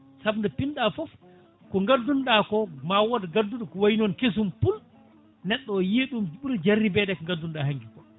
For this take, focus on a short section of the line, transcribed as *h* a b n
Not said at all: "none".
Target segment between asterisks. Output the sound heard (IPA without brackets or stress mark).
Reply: s